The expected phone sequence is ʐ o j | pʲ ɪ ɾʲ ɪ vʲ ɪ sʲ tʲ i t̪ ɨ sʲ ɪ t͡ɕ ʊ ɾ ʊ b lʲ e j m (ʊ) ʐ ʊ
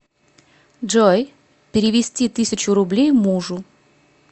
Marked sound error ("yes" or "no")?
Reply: yes